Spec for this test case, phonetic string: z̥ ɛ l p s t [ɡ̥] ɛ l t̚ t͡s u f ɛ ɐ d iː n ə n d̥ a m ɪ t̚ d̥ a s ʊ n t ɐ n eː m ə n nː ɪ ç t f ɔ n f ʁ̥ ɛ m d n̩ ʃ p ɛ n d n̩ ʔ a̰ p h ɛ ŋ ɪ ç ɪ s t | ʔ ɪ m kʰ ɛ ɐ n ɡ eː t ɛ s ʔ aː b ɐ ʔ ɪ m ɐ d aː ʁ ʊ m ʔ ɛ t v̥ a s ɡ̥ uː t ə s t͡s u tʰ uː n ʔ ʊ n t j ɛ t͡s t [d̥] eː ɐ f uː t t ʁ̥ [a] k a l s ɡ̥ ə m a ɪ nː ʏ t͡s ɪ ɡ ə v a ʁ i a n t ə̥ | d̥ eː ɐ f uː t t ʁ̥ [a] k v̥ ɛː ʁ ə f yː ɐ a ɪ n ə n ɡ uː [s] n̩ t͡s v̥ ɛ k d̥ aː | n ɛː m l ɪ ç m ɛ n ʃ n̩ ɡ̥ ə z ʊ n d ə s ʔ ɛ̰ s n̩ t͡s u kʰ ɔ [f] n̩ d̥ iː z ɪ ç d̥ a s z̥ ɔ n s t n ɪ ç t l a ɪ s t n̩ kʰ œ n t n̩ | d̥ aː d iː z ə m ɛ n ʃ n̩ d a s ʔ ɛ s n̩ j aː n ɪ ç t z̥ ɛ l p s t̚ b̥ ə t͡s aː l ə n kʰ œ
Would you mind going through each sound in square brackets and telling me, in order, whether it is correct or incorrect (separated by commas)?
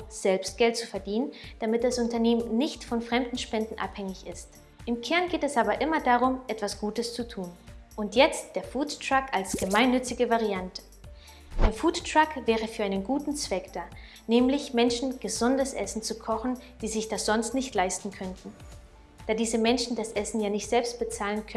correct, correct, correct, correct, incorrect, incorrect